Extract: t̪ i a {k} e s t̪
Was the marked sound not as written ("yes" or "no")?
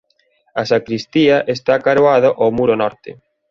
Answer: yes